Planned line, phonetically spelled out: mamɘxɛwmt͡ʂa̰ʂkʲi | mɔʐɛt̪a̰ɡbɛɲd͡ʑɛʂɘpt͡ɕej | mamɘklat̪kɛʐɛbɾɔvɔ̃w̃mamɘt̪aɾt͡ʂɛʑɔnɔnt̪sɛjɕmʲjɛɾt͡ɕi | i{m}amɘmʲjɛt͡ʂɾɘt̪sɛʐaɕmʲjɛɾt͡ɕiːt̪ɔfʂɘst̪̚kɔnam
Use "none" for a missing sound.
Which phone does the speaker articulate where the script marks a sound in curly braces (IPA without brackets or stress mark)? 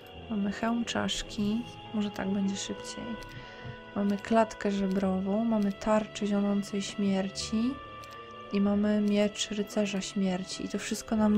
m